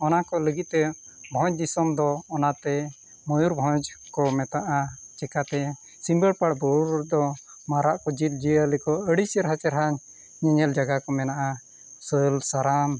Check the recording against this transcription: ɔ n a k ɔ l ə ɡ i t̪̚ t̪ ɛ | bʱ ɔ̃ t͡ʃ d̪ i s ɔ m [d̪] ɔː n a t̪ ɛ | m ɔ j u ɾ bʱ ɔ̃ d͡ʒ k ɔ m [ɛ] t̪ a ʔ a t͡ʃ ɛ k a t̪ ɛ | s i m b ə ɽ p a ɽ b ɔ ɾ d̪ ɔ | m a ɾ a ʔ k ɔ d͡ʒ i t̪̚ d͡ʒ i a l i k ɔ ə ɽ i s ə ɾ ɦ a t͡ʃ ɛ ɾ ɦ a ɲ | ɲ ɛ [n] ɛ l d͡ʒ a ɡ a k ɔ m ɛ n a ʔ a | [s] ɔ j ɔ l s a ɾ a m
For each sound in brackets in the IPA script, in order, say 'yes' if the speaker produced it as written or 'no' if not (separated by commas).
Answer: yes, yes, no, yes